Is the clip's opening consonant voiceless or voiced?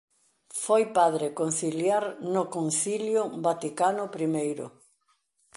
voiceless